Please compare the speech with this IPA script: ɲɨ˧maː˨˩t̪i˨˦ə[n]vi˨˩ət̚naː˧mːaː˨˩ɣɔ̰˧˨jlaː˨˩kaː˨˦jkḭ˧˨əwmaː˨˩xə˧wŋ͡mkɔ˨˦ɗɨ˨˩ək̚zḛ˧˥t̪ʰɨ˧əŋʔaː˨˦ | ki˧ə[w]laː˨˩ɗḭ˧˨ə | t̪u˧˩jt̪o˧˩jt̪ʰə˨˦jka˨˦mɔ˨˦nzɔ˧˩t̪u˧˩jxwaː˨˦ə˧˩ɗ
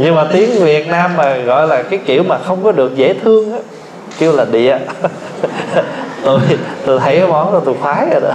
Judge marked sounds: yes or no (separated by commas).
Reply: no, yes